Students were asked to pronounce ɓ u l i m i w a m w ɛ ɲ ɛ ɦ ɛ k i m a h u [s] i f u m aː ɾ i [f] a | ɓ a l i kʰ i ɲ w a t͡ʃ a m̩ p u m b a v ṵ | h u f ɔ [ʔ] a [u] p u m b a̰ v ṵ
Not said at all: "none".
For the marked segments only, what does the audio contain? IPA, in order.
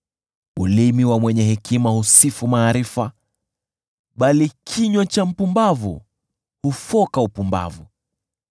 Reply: s, f, k, u

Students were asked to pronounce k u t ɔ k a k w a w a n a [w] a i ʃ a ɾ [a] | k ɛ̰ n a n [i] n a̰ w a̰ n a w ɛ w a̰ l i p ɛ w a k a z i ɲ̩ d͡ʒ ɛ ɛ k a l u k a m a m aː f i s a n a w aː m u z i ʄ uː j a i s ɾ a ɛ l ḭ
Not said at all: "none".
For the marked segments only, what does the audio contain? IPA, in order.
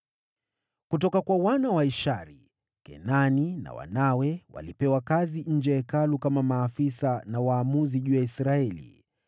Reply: w, i, i

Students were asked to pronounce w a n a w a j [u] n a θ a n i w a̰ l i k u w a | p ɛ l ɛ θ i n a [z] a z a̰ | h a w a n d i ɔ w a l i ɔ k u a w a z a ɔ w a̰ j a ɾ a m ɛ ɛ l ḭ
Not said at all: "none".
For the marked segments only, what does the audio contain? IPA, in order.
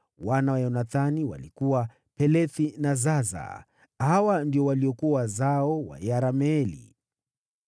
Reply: ɔ, z

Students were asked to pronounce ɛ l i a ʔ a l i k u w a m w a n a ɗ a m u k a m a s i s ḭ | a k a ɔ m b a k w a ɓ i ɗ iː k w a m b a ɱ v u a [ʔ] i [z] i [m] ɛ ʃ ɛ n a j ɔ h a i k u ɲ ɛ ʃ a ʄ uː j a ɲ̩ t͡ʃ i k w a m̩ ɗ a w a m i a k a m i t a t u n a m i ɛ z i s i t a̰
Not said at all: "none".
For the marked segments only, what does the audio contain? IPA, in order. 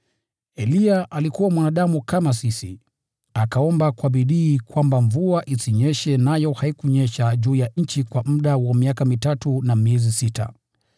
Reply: ʔ, s, ɲ

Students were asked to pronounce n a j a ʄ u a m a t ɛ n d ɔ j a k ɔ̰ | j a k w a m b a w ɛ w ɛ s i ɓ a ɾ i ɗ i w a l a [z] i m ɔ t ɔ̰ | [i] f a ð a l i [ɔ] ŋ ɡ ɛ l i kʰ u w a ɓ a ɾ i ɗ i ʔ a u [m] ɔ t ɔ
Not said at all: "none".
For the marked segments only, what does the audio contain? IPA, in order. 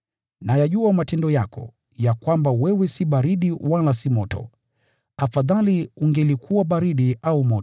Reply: s, a, u, m

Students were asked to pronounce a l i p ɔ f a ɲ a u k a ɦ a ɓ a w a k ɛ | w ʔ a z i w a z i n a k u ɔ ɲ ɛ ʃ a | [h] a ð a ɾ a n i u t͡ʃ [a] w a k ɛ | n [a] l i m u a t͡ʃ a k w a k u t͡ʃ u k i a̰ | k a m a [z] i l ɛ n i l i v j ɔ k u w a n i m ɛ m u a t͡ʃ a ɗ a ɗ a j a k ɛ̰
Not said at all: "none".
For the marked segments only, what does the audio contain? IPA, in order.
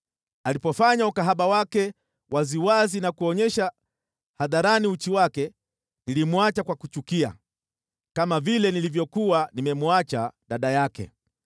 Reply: h, i, i, v

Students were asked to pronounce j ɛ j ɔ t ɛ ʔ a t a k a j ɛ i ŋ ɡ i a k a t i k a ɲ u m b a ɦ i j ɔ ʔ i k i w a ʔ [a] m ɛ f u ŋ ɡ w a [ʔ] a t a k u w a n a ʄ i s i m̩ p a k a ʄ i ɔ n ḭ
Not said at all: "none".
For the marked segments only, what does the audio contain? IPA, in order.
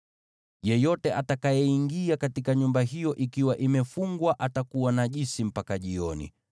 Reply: i, ʔ

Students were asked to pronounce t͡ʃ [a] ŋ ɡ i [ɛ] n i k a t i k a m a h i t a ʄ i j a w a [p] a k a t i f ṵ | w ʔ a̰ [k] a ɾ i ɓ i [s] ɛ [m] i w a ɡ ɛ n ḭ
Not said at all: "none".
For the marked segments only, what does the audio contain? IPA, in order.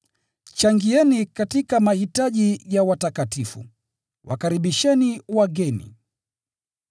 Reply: a, ɛ, t, k, ʃ, n

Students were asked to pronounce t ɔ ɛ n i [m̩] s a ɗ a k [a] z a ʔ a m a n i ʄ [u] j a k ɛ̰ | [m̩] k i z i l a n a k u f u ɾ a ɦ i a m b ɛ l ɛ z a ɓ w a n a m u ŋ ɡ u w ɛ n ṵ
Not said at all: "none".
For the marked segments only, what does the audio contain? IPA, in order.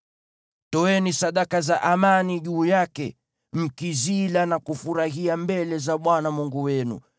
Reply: none, a, uː, m̩

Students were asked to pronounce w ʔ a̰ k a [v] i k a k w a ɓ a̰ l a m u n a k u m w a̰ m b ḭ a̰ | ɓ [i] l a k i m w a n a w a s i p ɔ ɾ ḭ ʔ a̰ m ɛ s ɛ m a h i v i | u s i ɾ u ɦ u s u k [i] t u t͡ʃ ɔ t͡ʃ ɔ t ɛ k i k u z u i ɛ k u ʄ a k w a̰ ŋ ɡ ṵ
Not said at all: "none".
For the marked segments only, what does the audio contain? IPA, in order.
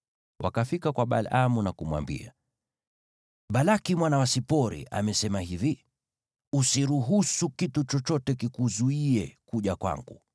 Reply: f, a, i

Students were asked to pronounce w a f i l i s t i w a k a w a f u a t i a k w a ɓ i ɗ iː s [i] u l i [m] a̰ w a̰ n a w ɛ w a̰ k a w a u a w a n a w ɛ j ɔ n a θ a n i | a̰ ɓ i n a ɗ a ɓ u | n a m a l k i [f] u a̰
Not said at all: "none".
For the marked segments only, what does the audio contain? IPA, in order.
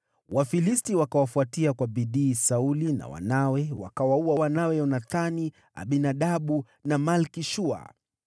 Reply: a, n, ʃ

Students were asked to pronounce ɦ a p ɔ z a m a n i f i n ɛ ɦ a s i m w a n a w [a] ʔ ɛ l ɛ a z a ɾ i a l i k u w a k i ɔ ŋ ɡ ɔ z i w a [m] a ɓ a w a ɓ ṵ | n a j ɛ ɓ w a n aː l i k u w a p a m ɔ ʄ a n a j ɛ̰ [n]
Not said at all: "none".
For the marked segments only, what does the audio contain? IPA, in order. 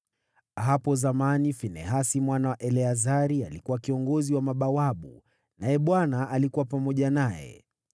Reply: a, m, none

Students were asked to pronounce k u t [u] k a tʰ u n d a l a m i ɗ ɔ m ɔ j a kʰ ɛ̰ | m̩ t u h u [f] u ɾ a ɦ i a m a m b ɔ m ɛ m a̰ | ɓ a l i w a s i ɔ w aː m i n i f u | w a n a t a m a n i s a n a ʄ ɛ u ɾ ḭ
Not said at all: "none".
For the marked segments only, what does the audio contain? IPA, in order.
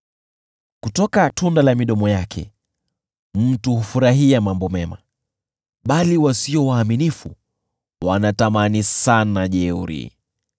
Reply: ɔ, f

